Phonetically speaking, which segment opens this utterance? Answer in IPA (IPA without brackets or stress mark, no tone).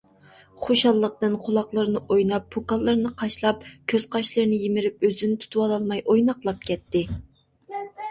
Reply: χ